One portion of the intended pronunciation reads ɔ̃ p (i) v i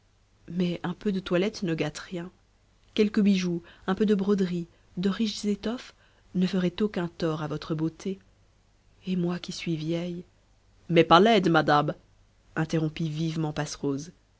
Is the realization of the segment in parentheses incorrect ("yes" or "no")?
no